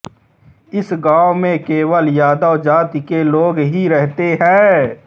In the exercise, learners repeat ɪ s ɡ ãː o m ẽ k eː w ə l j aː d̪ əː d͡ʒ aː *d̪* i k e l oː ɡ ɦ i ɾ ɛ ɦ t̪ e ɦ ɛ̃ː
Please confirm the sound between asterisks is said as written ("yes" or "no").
no